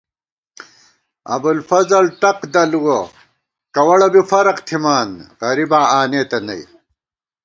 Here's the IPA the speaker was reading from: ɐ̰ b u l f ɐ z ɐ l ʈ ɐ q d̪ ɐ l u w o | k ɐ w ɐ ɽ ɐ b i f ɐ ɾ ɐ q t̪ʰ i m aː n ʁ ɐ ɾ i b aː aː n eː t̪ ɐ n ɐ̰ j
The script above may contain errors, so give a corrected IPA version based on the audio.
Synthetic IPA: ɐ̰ b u l f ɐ z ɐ l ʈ ɐ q d̪ ɐ l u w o | k ɐ w ɐ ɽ ɐ b i f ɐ ɾ ɐ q t̪ʰ i m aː n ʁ ɐ ɾ i b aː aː n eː t̪ ɐ n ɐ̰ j